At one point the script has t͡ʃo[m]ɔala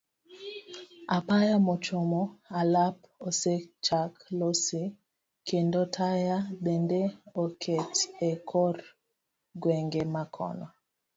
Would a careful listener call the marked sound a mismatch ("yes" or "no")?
no